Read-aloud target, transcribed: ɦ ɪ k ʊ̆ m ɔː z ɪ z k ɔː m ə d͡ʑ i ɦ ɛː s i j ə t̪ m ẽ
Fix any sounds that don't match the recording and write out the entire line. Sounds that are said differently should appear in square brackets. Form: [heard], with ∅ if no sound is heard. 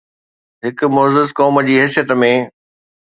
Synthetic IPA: ɦ ɪ k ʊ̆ m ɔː z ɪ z k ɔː m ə d͡ʑ [iː] ɦ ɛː s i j ə t̪ m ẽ